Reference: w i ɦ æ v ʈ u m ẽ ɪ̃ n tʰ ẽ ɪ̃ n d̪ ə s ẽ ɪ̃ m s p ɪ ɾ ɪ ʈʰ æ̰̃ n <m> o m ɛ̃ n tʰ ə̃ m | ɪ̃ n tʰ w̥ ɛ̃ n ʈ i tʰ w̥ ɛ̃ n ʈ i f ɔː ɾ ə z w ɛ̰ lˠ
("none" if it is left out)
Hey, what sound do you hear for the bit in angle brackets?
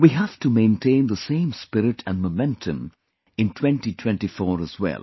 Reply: m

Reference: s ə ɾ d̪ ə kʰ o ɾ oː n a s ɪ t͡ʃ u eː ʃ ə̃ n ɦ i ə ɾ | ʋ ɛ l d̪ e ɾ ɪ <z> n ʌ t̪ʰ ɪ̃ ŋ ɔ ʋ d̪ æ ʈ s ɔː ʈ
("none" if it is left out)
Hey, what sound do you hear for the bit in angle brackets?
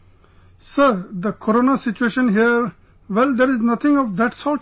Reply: z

